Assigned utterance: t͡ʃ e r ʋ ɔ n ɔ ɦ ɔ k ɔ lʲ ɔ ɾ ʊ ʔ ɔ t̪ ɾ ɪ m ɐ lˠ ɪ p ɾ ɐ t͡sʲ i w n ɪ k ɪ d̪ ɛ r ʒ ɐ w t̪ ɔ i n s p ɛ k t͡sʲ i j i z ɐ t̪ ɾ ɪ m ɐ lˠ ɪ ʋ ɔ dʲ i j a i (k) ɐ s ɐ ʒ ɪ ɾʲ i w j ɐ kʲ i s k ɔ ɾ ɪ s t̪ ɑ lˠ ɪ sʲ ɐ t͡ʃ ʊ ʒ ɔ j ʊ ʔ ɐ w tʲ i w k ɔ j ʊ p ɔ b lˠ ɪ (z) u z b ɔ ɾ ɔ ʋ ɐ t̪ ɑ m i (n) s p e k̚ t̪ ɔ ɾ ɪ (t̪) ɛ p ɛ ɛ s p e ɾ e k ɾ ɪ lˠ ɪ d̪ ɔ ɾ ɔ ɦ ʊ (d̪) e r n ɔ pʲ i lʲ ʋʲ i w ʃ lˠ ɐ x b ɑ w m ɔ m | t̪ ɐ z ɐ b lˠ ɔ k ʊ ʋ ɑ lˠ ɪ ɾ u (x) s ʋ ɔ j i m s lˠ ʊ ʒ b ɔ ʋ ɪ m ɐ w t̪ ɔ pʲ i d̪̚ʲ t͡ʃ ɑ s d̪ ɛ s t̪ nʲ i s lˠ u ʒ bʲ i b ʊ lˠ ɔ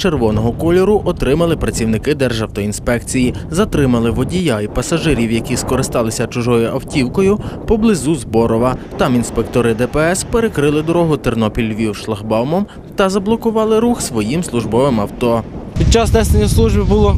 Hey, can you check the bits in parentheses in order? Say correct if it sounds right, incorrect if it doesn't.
incorrect: p, correct, correct, incorrect: d̪, incorrect: t̪, correct

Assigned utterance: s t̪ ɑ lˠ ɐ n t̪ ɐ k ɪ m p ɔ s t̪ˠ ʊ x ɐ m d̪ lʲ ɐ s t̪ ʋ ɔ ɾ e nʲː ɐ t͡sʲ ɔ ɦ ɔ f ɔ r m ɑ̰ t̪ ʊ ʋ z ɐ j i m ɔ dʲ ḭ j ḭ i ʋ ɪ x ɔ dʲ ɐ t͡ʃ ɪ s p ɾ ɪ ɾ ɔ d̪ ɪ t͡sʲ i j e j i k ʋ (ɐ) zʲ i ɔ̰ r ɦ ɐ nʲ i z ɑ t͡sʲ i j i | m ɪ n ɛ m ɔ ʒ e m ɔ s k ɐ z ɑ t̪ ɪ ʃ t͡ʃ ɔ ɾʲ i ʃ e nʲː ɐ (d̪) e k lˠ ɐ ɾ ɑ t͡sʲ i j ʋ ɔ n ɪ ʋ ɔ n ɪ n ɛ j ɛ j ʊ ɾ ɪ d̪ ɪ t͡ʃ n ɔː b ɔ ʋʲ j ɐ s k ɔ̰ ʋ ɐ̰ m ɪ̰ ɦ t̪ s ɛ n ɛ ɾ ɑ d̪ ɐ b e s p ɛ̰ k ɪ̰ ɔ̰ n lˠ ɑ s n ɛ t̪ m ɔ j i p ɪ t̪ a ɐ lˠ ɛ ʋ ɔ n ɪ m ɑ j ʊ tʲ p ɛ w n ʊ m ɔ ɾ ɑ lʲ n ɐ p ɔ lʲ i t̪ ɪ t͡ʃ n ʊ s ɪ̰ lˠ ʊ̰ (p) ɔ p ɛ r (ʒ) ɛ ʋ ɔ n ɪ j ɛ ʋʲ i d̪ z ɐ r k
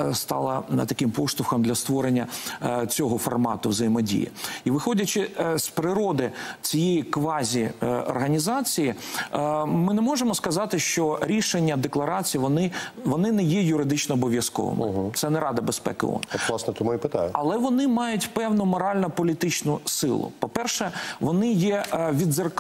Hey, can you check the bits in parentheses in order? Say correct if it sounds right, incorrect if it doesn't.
incorrect: ɑ, correct, correct, incorrect: ʃ

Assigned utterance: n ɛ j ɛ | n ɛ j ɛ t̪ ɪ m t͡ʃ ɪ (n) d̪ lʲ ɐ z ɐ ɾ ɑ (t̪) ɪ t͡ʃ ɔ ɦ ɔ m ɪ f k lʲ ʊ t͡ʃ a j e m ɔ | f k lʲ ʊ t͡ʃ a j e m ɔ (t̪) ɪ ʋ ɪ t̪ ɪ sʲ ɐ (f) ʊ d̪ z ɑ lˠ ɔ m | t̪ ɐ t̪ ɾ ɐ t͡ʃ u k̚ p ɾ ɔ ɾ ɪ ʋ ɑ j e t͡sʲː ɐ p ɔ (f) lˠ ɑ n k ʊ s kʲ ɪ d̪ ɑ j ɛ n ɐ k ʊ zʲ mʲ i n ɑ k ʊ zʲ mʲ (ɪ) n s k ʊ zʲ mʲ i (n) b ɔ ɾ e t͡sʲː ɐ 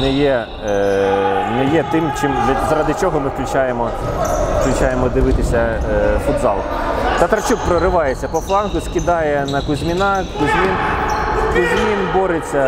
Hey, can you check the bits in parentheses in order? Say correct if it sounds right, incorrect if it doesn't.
incorrect: m, incorrect: d̪, incorrect: d̪, correct, correct, incorrect: i, correct

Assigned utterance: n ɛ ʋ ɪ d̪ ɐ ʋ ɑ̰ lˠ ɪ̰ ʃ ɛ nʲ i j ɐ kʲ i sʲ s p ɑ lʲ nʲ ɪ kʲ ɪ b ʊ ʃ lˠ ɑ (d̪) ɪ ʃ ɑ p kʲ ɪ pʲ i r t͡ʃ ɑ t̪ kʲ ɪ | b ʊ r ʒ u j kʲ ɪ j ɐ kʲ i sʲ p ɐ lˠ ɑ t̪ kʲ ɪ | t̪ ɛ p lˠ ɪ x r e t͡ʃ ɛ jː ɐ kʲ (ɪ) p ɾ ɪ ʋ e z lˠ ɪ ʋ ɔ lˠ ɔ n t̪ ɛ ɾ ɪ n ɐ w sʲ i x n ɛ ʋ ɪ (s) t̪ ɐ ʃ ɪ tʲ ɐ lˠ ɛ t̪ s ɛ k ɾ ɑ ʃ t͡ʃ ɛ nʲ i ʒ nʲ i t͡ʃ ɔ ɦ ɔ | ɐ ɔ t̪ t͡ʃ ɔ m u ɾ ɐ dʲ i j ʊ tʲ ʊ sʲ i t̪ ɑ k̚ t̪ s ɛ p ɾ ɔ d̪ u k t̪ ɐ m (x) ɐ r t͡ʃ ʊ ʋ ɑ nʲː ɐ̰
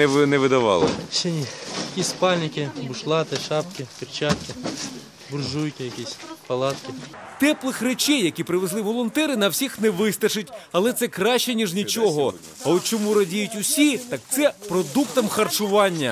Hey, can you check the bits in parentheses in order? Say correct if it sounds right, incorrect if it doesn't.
incorrect: t̪, incorrect: i, correct, correct

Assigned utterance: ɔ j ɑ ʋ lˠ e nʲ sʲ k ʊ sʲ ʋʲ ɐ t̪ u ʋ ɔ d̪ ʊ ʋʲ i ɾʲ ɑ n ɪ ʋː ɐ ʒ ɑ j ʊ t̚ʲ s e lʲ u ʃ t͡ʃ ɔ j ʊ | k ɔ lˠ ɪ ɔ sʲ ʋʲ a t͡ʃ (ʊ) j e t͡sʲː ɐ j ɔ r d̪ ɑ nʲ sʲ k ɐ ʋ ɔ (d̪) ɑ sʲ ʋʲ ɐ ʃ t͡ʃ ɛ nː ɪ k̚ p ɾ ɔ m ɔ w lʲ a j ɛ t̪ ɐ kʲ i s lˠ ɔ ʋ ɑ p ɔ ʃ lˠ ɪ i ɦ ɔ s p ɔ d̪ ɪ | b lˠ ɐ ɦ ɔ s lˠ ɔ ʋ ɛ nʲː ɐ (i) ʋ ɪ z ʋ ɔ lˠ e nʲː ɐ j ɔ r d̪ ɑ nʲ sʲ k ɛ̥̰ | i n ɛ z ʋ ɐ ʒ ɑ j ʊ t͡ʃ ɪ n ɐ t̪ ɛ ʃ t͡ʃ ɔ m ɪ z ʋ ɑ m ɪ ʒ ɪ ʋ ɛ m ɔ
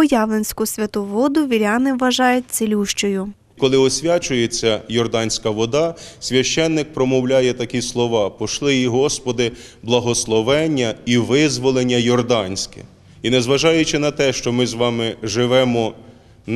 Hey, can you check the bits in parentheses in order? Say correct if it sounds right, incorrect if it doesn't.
correct, correct, correct

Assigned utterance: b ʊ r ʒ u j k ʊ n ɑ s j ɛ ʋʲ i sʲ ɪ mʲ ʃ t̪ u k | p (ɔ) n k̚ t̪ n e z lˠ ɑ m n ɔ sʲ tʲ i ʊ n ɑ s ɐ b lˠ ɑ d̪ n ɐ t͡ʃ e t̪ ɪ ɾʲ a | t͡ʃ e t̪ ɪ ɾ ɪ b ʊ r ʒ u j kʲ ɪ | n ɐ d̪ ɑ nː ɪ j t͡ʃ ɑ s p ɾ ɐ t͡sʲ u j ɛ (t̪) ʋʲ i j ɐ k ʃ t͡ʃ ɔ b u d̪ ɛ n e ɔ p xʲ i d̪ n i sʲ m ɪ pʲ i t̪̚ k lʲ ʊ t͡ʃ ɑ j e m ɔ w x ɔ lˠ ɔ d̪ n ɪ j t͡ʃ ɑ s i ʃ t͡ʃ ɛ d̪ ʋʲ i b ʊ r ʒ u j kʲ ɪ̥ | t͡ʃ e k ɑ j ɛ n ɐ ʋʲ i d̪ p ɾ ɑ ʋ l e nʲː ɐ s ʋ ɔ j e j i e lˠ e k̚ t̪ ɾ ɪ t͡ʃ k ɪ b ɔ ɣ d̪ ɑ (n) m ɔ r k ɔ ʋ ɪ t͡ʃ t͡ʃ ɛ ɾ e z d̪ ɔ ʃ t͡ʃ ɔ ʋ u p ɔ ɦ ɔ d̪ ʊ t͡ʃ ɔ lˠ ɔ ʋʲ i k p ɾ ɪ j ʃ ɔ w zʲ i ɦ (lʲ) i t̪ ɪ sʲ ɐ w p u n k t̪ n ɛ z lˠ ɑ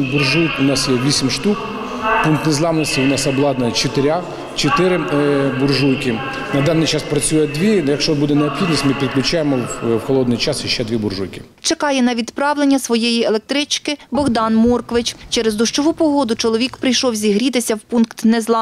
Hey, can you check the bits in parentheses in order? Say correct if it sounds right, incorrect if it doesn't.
incorrect: u, incorrect: d̪, correct, incorrect: ɾʲ

